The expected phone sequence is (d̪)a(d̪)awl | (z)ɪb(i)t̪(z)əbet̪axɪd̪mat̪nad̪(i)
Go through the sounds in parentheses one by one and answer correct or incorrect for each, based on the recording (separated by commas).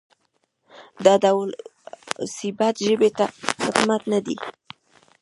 correct, correct, incorrect, incorrect, incorrect, correct